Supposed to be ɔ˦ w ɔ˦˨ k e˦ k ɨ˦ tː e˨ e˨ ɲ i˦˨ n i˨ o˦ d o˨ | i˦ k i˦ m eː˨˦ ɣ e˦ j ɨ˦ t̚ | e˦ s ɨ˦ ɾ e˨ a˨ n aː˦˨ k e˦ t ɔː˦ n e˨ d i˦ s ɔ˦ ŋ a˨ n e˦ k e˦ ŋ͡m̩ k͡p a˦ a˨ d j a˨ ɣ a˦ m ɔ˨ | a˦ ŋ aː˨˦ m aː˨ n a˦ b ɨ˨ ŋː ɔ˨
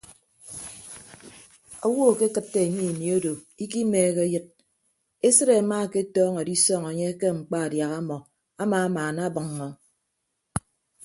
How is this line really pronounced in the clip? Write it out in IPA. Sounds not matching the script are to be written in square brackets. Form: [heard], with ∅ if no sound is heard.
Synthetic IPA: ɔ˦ w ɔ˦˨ k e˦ k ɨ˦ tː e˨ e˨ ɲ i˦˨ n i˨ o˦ d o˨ | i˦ k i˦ m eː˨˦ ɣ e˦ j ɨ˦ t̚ | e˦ s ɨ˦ ɾ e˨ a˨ [m] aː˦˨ k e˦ t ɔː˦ [ŋ] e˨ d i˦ s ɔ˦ ŋ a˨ [ɲ] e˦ k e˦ ŋ͡m̩ k͡p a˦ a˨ d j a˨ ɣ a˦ m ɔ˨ | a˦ [m] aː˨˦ m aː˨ n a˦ b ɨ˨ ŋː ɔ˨